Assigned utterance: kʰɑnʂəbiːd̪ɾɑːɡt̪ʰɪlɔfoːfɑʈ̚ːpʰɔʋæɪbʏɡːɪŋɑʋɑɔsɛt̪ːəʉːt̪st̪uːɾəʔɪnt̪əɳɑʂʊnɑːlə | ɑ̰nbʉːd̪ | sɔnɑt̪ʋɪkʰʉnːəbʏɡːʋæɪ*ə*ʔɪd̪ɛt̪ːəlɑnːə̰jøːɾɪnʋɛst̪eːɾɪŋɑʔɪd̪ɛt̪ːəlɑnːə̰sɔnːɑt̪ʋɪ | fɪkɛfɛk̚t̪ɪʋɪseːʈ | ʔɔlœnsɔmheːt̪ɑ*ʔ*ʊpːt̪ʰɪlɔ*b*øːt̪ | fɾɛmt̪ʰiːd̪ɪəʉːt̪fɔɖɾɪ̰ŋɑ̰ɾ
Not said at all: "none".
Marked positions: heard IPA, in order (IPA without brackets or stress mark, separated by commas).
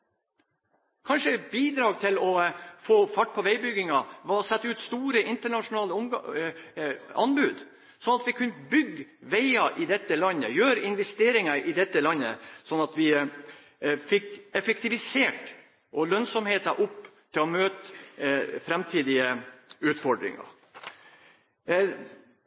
ɑ, ʔ, m